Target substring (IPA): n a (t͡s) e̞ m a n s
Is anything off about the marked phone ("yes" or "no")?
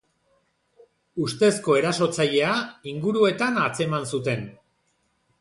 no